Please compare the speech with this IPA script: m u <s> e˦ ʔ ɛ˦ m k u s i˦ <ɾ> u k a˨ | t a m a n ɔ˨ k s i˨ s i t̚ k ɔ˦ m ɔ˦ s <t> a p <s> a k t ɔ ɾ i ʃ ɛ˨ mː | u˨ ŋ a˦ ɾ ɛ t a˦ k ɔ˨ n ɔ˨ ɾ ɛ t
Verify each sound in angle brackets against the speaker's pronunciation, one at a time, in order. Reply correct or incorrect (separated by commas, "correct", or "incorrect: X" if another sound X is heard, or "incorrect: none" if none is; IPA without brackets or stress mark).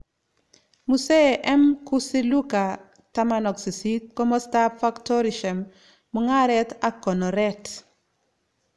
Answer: correct, incorrect: l, correct, incorrect: f